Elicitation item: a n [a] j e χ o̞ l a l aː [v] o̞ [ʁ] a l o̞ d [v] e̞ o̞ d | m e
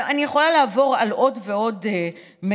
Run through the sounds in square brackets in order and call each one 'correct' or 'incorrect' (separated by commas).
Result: incorrect, correct, correct, correct